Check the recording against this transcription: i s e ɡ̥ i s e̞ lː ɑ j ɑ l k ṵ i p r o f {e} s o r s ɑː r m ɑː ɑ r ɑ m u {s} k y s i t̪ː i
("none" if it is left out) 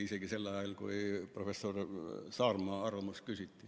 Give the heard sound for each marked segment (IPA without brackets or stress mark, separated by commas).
e, s